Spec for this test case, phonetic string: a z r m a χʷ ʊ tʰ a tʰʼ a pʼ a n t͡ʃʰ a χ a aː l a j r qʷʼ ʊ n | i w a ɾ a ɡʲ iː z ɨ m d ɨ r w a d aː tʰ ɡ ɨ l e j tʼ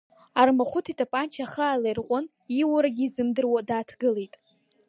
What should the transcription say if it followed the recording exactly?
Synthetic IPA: a r m a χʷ ʊ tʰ i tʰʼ a pʼ a n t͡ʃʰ a χ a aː l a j r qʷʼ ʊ n | i w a ɾ a ɡʲ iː z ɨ m d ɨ r w a d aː tʰ ɡ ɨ l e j tʼ